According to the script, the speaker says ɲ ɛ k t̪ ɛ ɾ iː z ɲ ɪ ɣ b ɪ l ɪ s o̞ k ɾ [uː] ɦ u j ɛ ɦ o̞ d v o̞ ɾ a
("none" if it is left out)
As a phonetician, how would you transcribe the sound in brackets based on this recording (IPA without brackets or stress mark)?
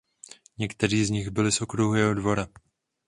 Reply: u